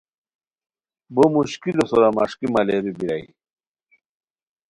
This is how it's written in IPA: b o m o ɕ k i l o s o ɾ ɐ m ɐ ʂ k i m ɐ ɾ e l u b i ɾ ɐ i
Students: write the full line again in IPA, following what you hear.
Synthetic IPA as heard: b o m u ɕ k i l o s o ɾ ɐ m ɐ ʂ k i m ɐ l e ɾ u b i ɾ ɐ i